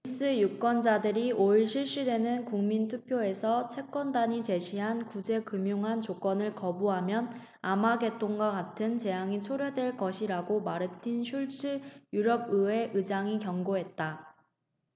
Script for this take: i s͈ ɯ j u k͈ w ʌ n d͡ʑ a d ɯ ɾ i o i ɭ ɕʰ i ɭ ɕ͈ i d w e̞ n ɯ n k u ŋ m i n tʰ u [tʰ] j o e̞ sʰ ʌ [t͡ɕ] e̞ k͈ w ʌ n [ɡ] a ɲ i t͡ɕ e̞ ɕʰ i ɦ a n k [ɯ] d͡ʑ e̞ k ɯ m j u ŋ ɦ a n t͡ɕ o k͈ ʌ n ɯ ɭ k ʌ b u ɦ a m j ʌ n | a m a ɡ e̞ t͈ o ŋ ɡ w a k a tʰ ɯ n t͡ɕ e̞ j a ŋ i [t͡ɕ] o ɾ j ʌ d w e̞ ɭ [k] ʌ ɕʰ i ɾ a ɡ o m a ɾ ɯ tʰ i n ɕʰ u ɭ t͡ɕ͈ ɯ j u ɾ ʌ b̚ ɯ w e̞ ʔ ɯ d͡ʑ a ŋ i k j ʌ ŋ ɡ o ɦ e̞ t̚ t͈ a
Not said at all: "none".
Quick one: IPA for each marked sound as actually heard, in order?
pʰ, t͡ɕʰ, d, u, t͡ɕʰ, k

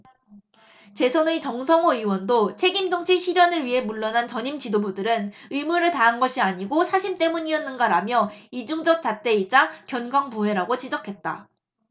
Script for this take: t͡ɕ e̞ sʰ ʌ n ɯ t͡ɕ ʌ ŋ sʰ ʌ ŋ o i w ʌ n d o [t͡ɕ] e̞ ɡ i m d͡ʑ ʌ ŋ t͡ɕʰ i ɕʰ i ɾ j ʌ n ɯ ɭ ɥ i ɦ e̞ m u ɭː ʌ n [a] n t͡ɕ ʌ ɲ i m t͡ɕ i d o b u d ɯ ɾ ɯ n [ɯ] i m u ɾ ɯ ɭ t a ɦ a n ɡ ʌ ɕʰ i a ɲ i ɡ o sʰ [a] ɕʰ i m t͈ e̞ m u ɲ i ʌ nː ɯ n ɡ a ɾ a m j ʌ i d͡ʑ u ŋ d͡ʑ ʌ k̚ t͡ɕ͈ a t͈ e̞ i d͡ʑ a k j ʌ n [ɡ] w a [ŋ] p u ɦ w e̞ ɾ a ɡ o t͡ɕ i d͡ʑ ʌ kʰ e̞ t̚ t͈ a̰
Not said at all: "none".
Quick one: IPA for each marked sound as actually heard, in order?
t͡ɕʰ, a, ɯ, a, ɡ, ŋ

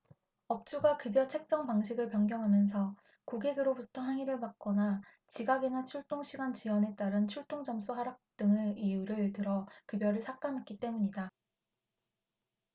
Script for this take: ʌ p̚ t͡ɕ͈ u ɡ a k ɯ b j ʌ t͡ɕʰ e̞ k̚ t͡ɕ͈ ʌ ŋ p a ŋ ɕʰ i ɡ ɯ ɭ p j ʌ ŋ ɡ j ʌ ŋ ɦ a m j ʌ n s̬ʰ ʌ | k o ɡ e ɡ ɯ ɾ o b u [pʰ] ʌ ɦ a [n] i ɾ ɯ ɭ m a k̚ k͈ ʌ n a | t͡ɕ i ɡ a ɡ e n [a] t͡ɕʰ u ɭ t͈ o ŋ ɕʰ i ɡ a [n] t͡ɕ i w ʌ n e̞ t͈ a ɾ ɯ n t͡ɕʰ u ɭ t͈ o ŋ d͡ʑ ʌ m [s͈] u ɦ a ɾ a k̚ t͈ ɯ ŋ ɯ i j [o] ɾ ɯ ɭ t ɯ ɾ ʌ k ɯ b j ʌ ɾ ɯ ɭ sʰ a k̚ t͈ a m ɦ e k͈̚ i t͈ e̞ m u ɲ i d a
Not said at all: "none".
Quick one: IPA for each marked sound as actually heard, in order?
tʰ, ŋ, a, n, s͈, u

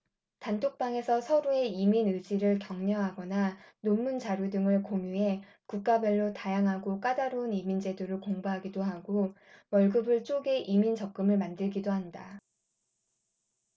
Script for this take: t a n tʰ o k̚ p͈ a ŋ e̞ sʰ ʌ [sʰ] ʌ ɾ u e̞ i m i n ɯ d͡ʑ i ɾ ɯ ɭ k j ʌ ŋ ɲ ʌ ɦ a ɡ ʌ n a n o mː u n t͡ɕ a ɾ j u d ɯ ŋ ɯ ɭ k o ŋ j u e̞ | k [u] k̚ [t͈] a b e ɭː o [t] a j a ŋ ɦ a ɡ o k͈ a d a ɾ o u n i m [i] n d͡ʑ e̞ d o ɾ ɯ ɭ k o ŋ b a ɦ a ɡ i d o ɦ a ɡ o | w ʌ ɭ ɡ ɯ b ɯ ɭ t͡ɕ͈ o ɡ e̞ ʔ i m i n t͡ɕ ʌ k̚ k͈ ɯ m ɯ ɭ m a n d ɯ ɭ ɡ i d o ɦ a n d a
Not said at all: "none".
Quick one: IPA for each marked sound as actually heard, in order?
sʰ, u, k͈, t, i

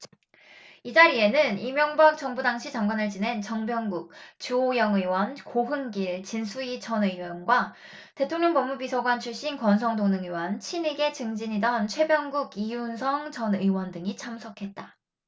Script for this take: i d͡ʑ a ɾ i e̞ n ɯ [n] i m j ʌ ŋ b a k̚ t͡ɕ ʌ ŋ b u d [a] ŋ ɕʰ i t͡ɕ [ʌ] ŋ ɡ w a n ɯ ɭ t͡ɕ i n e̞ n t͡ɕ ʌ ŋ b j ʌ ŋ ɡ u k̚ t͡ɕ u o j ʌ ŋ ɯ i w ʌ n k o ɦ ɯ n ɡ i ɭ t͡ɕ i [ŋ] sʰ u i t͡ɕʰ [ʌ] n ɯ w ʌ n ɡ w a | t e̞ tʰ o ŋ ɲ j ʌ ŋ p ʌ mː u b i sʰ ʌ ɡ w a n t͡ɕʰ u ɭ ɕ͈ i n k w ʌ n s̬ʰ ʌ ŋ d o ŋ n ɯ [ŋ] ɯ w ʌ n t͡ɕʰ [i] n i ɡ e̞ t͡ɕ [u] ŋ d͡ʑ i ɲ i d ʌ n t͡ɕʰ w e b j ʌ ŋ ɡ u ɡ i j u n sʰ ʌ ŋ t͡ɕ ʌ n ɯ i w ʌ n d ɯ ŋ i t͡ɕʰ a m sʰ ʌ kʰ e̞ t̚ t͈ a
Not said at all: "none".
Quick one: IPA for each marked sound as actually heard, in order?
n, a, a, n, ʌ, ŋ, i, ɯ

